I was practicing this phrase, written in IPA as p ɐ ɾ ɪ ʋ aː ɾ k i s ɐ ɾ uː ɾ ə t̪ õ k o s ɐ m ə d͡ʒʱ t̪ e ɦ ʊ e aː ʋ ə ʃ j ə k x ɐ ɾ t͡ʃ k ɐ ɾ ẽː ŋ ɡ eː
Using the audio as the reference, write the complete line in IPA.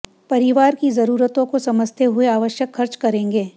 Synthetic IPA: p ɐ ɾ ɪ ʋ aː ɾ k i z ɐ ɾ uː ɾ ə t̪ õ k o s ɐ m ə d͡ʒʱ t̪ e ɦ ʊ e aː ʋ ə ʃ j ə k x ɐ ɾ t͡ʃ k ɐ ɾ ẽː ŋ ɡ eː

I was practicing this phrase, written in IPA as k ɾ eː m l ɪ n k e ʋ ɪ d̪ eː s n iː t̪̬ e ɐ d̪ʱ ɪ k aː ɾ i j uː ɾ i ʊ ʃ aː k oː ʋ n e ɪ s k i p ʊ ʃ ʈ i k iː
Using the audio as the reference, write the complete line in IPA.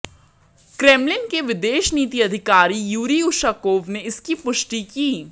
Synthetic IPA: k ɾ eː m l ɪ n k e ʋ ɪ d̪ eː ʃ n iː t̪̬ i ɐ d̪ʱ ɪ k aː ɾ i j uː ɾ i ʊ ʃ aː k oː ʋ n e ɪ s k i p ʊ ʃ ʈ i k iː

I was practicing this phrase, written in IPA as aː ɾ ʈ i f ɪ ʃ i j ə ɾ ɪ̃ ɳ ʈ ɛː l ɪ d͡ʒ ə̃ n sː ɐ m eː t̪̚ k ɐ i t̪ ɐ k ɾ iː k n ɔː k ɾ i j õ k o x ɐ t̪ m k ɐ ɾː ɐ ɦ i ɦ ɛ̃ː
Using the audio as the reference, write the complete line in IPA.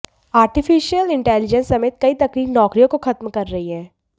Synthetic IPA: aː ɾ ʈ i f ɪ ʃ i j ə l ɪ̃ ɳ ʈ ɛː l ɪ d͡ʒ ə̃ n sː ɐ m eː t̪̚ k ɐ i t̪ ɐ k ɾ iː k n ɔː k ɾ i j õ k o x ɐ t̪ m k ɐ ɾː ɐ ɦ i ɦ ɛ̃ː

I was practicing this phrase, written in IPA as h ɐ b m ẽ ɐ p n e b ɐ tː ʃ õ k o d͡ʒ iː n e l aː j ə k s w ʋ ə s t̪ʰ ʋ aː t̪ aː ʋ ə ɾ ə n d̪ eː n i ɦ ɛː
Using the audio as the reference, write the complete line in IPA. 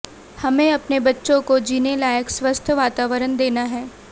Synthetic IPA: h ɐ m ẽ ɐ p n e b ɐ tː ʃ õ k o d͡ʒ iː n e l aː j ə k s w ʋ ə s t̪ʰ ʋ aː t̪ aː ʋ ə ɾ ə n d̪ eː n a ɦ ɛː

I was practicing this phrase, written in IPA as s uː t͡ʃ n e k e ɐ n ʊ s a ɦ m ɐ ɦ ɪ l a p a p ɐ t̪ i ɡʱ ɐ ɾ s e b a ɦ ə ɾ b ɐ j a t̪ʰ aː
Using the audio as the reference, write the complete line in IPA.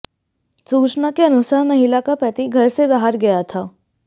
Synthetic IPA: s uː t͡ʃ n a k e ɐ n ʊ s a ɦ m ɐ ɦ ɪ l a k a p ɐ t̪ i ɡʱ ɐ ɾ s e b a ɦ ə ɾ ɡ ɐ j a t̪ʰ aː

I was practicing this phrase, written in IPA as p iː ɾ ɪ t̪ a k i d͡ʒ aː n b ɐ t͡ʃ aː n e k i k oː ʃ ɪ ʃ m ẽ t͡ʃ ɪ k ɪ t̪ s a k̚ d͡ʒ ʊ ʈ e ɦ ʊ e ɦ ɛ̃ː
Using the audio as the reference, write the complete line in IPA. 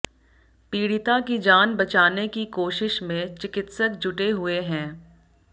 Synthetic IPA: p iː ɽ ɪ t̪ a k i d͡ʒ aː n b ɐ t͡ʃ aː n e k i k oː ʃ ɪ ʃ m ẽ t͡ʃ ɪ k ɪ t̪ s ə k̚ d͡ʒ ʊ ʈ e ɦ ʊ e ɦ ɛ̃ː

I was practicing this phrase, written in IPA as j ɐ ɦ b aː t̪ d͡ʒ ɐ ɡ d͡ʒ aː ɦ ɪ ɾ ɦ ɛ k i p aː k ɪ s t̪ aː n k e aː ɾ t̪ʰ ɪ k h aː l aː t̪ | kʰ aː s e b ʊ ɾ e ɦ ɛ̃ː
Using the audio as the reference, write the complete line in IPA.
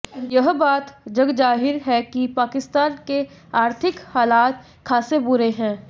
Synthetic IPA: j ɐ ɦ b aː t̪ d͡ʒ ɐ ɡ d͡ʒ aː ɦ ɪ ɾ ɦ ɛ k i p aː k ɪ s t̪ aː n k e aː ɾ t̪ʰ ɪ k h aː l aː t̪ | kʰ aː s e b ʊ ɾ e ɦ ɛ̃ː

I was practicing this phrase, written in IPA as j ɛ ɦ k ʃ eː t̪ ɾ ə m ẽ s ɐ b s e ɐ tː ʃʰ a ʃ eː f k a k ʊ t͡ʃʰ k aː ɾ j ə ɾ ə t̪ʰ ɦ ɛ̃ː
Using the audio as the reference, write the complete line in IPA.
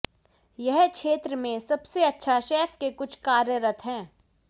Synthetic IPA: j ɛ ɦ k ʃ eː t̪ ɾ ə m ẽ s ɐ b s e ɐ tː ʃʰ a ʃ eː f k e k ʊ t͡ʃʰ k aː ɾ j ə ɾ ə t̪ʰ ɦ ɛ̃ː

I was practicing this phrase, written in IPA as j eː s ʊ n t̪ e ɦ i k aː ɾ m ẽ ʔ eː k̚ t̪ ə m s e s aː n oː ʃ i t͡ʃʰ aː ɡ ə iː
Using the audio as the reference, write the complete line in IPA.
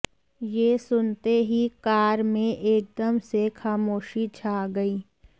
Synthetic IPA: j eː s ʊ n t̪ e ɦ i k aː ɾ m ẽ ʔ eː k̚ d̪ ə m s e x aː m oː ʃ i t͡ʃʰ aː ɡ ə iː

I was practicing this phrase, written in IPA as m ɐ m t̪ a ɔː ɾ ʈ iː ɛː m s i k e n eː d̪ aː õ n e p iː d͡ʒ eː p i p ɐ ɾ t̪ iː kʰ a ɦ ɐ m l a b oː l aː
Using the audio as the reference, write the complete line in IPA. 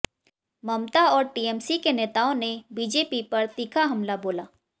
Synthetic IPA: m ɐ m t̪ a ɔː ɾ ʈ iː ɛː m s i k e n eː t̪ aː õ n e b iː d͡ʒ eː p i p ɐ ɾ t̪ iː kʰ a ɦ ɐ m l a b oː l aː

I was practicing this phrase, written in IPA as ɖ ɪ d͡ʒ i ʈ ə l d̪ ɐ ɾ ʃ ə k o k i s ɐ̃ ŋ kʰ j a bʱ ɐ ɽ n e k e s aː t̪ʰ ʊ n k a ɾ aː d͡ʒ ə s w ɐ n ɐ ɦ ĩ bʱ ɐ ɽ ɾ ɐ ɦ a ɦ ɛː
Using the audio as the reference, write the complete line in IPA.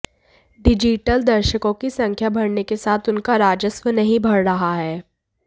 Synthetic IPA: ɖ ɪ d͡ʒ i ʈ ə l d̪ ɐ ɾ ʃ ə k õ k i s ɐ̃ ŋ kʰ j a bʱ ɐ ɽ n e k e s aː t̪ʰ ʊ n k a ɾ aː d͡ʒ ə s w ə n ɐ ɦ ĩ bʱ ɐ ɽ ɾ ɐ ɦ a ɦ ɛː

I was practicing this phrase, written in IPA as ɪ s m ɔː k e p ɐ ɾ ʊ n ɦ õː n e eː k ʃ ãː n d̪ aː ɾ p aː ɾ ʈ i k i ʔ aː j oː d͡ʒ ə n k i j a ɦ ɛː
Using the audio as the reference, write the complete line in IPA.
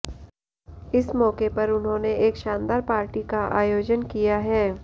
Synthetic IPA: ɪ s m ɔː k e p ɐ ɾ ʊ n ɦ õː n e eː k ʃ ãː n d̪ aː ɾ p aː ɾ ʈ i k a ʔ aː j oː d͡ʒ ə n k i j a ɦ ɛː

